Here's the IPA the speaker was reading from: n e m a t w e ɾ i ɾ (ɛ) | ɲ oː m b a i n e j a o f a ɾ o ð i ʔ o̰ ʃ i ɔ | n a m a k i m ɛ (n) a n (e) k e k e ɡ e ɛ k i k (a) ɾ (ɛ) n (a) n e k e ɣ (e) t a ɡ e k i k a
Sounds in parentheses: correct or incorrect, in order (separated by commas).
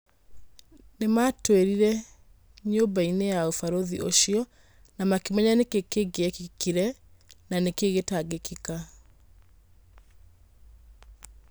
correct, incorrect, correct, incorrect, correct, correct, correct